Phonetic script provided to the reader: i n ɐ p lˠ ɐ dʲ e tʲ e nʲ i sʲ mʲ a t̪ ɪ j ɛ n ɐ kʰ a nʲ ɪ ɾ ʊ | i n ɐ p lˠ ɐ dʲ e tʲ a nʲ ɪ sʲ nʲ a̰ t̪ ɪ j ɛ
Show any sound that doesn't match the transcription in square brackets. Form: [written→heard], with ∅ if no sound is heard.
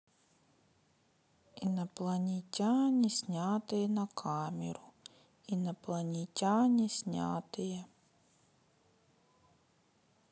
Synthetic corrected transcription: i n ɐ p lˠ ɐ [dʲ→nʲ] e tʲ [e→a] nʲ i sʲ [mʲ→nʲ] a t̪ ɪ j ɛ n ɐ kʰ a [nʲ→mʲ] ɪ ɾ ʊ | i n ɐ p lˠ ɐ [dʲ→nʲ] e tʲ a nʲ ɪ sʲ nʲ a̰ t̪ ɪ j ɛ